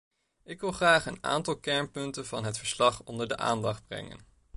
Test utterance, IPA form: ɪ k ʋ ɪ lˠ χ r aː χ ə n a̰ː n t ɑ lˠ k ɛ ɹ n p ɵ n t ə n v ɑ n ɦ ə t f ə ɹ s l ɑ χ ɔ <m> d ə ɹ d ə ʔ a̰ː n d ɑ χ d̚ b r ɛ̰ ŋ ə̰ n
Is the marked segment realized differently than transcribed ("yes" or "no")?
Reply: yes